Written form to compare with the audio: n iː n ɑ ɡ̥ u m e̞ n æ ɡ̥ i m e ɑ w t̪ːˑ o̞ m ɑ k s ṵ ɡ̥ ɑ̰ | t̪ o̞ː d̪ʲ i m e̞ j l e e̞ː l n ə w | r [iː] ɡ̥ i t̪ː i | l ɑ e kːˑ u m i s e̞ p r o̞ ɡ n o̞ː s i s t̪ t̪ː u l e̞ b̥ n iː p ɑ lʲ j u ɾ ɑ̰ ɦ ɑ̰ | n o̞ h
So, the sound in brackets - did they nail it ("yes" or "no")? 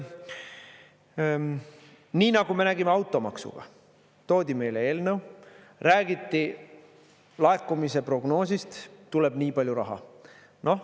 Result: no